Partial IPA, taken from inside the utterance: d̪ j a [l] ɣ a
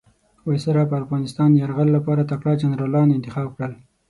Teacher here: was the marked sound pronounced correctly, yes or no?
no